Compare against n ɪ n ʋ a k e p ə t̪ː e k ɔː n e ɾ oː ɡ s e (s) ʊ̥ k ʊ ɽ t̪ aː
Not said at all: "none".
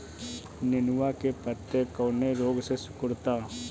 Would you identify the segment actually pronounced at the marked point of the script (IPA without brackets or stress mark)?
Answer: s